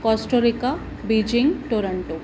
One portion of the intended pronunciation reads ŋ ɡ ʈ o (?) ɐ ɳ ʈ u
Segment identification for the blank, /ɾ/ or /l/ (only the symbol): ɾ